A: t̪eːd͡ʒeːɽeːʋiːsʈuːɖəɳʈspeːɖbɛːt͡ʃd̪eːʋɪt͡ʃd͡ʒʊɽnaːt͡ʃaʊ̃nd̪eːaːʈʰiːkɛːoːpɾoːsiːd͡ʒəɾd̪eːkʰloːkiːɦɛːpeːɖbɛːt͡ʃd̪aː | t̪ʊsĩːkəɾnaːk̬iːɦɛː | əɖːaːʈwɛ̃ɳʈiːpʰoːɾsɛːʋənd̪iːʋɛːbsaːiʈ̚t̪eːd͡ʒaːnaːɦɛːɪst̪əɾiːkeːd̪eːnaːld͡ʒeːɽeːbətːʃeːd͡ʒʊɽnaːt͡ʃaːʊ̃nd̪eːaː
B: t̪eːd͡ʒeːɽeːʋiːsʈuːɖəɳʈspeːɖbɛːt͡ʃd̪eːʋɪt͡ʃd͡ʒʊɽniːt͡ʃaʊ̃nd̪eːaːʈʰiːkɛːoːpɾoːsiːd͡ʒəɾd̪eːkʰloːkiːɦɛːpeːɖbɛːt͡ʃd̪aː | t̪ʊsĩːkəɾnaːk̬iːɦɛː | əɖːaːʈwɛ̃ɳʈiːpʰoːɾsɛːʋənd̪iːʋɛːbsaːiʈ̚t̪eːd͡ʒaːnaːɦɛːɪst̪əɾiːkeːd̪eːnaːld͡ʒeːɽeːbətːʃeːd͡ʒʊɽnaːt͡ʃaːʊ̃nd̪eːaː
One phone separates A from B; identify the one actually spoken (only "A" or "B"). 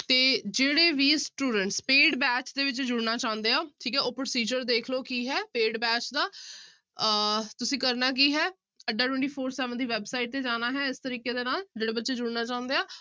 A